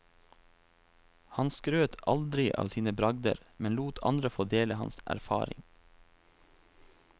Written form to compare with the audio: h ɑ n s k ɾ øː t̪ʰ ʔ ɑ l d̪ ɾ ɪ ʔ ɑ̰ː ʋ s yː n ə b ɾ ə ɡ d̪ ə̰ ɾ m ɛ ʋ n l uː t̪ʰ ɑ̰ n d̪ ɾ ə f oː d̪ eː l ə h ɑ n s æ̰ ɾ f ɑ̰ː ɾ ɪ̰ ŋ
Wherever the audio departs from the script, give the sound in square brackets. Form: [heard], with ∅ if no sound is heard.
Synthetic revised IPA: h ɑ n s k ɾ øː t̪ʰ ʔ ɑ l d̪ ɾ ɪ ʔ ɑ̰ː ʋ s [iː] n ə b ɾ [ɑ] ɡ d̪ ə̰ ɾ m ɛ [∅] n l uː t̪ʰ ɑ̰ n d̪ ɾ ə f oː d̪ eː l ə h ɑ n s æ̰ ɾ f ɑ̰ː ɾ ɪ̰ ŋ

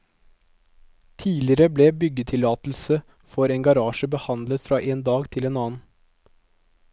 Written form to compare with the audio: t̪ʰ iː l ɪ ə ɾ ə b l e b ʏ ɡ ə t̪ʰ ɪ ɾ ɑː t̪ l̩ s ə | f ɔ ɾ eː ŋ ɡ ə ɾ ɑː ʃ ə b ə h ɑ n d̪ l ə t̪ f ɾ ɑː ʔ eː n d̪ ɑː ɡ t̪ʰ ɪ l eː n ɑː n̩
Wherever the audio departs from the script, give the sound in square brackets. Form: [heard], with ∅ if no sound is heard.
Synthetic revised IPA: t̪ʰ iː l ɪ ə ɾ ə b l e b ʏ ɡ ə t̪ʰ ɪ [l] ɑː t̪ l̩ s ə | f ɔ ɾ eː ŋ ɡ [ɑ] ɾ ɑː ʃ ə b ə h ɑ n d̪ l ə t̪ f ɾ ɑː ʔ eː n d̪ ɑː ɡ t̪ʰ ɪ l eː n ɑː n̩

